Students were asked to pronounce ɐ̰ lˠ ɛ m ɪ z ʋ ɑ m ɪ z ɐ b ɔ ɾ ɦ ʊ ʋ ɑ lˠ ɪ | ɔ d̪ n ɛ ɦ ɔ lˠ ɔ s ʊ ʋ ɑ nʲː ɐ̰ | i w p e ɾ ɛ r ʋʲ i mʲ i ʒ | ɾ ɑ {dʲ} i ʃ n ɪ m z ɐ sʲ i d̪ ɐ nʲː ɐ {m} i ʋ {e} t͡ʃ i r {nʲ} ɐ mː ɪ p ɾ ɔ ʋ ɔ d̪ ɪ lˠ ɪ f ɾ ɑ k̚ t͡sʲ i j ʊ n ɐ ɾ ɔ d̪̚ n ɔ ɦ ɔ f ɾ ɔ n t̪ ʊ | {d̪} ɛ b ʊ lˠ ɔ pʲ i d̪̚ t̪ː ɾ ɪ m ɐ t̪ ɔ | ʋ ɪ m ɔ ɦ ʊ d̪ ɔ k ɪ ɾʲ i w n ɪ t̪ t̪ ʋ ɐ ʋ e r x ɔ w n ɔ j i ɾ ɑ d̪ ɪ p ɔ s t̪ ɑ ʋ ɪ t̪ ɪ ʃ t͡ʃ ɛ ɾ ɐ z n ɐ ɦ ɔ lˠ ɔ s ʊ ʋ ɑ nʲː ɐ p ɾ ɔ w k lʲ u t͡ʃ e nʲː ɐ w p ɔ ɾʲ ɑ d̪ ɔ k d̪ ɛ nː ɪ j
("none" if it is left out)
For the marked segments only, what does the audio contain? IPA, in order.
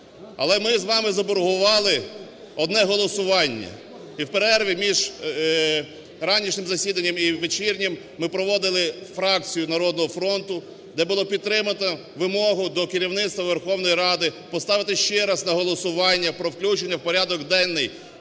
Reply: nʲ, m, e, nʲ, d̪

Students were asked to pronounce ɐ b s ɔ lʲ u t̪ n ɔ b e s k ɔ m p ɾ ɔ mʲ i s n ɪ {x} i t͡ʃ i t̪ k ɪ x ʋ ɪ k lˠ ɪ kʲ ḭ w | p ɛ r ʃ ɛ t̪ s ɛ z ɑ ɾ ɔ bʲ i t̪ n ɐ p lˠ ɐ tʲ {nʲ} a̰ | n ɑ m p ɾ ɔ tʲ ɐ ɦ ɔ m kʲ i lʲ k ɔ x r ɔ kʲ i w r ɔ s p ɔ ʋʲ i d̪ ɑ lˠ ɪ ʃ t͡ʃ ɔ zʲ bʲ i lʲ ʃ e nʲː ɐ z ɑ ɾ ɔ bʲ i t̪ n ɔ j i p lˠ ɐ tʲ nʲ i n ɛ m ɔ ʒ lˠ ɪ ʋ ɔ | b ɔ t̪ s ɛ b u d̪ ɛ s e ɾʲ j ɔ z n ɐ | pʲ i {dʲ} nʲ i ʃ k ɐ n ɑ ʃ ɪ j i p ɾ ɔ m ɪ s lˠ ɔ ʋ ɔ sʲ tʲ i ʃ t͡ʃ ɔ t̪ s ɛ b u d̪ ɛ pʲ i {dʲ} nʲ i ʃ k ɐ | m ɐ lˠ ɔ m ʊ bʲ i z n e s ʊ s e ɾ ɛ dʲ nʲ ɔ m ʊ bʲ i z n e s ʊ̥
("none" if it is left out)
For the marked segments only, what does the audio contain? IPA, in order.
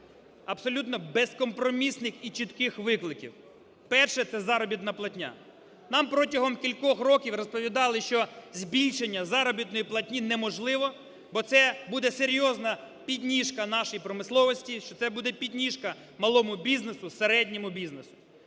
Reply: x, nʲ, dʲ, dʲ

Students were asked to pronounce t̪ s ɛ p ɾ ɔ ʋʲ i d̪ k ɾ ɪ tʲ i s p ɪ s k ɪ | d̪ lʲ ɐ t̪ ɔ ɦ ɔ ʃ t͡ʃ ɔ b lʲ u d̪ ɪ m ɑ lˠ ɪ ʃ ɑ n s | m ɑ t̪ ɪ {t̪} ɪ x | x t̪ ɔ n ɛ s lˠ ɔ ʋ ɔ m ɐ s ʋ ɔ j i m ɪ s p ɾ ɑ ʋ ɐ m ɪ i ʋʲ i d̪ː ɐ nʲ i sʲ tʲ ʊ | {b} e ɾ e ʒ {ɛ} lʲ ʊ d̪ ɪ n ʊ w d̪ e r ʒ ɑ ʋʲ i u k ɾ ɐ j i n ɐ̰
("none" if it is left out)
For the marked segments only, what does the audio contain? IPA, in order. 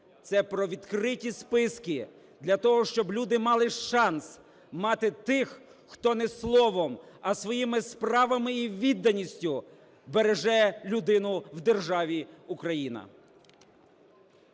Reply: t̪, b, ɛ

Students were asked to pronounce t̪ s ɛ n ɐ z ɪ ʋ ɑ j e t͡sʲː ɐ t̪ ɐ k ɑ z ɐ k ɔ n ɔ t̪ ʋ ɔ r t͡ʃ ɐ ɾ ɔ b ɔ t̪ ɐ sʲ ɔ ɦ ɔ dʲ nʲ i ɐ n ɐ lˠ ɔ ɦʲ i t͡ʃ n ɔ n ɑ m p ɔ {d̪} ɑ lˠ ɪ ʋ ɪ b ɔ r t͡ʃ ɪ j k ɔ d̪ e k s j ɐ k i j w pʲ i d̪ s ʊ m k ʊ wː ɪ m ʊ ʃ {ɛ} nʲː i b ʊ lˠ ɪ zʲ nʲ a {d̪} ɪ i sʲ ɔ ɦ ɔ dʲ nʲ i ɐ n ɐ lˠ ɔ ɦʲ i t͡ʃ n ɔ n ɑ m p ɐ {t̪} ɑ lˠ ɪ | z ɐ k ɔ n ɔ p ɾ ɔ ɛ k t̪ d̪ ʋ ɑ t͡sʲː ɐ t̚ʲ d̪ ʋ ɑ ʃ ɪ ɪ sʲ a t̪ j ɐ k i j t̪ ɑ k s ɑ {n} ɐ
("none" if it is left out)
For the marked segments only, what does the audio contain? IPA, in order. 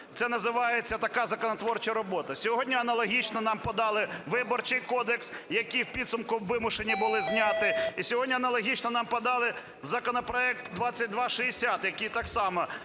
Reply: d̪, e, t̪, d̪, m

